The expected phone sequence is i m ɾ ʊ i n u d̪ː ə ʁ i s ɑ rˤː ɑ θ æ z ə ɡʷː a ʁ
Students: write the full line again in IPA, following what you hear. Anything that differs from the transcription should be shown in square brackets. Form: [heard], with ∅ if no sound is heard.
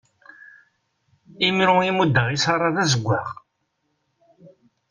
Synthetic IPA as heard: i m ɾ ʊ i [m] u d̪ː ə ʁ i s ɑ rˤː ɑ [ð] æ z ə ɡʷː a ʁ